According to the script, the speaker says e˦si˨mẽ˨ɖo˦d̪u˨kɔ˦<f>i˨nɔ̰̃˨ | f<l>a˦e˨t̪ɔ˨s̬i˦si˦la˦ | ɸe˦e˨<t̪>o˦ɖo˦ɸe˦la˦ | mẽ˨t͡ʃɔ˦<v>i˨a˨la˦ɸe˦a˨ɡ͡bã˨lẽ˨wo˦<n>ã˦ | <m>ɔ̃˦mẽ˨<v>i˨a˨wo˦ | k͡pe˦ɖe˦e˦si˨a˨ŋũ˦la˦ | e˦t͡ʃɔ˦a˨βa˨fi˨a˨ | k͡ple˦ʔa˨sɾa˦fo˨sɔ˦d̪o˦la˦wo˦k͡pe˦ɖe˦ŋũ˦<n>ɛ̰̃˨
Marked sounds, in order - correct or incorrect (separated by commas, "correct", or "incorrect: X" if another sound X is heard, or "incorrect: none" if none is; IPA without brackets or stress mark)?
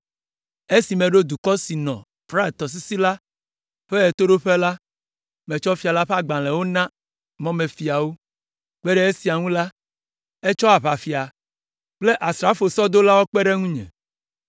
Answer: incorrect: s, incorrect: ɾ, correct, incorrect: f, correct, correct, incorrect: f, incorrect: ɲ